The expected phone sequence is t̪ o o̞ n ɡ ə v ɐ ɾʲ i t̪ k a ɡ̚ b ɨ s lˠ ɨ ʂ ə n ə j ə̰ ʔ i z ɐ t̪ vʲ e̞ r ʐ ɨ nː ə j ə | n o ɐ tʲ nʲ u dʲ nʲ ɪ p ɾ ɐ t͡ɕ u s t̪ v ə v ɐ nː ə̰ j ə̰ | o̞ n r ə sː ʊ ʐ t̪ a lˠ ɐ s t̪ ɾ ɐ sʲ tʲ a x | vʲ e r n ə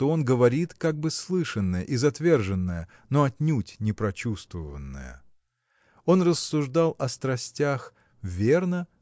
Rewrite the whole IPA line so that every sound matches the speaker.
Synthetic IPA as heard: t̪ o o̞ n ɡ ə v ɐ ɾʲ i t̪ k a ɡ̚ b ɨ s lˠ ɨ ʂ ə nː ə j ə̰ ʔ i z ɐ t̪ vʲ e̞ r ʐ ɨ nː ə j ə | n o ɐ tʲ nʲ u tʲ nʲ ɪ p ɾ ɐ t͡ɕ u s t̪ v ə v ə nː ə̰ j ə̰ | o̞ n r ə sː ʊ ʐ d̪ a lˠ ɐ s t̪ ɾ ɐ sʲ tʲ a x | vʲ e r n ə